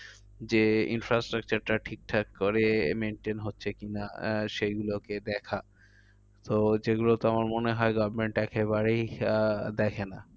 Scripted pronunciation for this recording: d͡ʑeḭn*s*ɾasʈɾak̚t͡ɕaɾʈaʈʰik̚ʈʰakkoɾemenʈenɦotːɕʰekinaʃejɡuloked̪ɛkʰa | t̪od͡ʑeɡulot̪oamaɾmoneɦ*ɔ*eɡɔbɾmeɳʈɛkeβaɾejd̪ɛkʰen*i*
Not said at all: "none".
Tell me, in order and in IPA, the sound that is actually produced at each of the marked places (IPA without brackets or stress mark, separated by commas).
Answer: f, ɔ, a